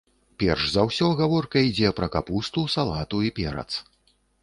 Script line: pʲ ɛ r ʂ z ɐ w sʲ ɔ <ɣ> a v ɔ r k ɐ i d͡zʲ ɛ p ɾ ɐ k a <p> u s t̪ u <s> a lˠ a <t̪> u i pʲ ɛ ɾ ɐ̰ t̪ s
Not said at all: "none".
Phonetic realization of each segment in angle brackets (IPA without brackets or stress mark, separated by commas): ɣ, p, s, t̪